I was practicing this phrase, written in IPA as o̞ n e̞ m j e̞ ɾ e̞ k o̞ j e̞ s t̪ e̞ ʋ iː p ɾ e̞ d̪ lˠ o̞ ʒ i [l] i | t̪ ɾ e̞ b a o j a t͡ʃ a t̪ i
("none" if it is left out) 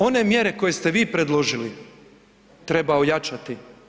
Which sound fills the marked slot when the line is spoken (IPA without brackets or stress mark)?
l